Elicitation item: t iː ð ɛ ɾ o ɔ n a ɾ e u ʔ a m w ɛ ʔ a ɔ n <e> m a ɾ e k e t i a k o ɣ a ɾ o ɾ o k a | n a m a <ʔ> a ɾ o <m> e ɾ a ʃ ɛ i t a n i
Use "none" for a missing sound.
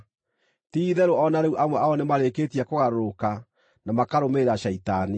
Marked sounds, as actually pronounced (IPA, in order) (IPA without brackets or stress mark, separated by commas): e, k, m